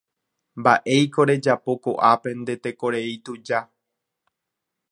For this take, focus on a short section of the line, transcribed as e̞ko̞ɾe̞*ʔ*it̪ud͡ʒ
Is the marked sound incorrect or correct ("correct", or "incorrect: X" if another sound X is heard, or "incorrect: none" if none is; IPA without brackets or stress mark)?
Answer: incorrect: none